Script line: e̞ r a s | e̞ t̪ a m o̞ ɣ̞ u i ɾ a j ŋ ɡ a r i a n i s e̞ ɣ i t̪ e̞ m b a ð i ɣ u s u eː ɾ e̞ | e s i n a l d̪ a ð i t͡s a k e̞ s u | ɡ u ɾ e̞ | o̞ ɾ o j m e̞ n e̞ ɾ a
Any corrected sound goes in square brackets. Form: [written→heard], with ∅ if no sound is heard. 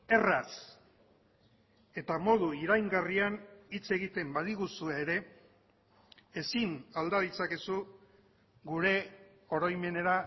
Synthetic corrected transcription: e̞ r a s | e̞ t̪ a m o̞ [ɣ̞→ð̞] u i ɾ a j ŋ ɡ a r i a n i [s→t͡s] e̞ ɣ i t̪ e̞ m b a ð i ɣ u s u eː ɾ e̞ | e s i n a l d̪ a ð i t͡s a k e̞ s u | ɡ u ɾ e̞ | o̞ ɾ o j m e̞ n e̞ ɾ a